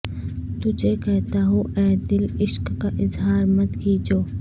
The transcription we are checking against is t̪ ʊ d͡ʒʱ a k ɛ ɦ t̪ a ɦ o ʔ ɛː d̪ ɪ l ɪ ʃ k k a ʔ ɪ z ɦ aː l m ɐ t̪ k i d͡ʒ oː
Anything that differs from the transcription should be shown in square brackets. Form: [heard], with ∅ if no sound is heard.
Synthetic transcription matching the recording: t̪ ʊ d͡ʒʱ [e] k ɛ ɦ t̪ a ɦ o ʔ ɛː d̪ ɪ l ɪ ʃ k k a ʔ ɪ z ɦ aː [ɾ] m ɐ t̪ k i d͡ʒ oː